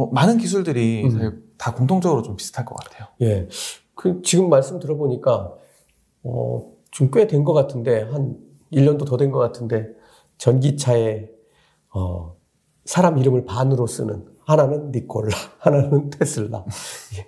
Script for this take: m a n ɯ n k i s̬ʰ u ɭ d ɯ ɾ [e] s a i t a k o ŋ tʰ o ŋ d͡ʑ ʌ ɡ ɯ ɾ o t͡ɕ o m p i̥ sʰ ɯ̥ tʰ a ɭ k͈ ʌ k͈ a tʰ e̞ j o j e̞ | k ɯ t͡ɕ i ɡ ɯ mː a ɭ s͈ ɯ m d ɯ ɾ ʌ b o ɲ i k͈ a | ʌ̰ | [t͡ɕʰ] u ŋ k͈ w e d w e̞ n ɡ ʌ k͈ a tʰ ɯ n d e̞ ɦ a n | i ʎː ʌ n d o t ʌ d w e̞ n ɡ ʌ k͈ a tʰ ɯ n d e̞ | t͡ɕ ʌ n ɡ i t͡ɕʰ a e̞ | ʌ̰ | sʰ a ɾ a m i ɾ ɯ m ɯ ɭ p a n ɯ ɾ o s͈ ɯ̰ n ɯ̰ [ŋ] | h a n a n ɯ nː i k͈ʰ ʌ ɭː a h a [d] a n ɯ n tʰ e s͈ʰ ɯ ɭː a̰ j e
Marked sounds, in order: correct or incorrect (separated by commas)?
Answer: incorrect, incorrect, incorrect, incorrect